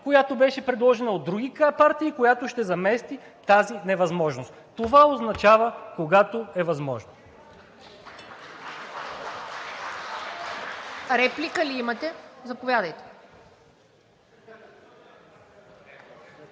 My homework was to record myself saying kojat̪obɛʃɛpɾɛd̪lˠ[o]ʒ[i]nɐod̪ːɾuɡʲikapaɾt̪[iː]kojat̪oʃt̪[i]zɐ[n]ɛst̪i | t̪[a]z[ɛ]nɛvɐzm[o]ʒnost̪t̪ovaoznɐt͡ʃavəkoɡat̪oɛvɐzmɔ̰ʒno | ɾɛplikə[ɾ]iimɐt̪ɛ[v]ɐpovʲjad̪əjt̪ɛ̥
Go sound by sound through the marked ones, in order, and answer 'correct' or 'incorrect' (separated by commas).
incorrect, incorrect, correct, incorrect, incorrect, correct, incorrect, incorrect, incorrect, incorrect